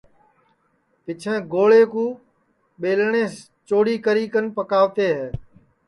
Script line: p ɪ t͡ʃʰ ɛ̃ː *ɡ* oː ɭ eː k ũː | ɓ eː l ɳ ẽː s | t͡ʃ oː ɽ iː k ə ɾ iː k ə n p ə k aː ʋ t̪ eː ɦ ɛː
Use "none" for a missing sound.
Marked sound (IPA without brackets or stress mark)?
ɡ